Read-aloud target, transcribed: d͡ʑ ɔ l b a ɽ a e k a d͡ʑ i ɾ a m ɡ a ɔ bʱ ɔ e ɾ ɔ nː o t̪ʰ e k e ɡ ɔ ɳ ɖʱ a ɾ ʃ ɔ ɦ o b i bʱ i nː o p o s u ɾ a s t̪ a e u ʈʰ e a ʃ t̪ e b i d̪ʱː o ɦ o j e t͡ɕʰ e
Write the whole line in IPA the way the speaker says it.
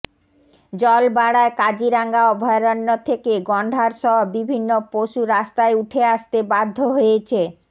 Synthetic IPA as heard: d͡ʑ ɔ l b a ɽ a e k a d͡ʑ i ɾ a ŋ ɡ a ɔ bʱ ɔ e ɾ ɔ nː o t̪ʰ e k e ɡ ɔ ɳ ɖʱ a ɾ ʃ ɔ ɦ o b i bʱ i nː o p o ʃ u ɾ a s t̪ a e u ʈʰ e a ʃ t̪ e b a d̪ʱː o ɦ o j e t͡ɕʰ e